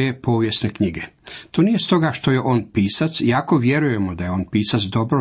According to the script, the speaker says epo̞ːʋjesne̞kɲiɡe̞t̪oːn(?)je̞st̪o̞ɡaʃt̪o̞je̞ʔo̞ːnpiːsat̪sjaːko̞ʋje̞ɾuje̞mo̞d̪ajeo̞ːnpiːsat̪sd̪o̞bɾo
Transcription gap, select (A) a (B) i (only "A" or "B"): B